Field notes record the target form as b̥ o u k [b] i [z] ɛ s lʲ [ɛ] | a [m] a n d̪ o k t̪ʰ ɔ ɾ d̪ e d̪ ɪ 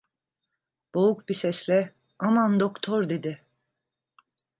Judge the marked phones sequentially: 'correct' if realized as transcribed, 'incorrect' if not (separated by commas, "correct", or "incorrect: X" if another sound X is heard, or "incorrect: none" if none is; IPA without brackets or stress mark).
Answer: correct, incorrect: s, correct, correct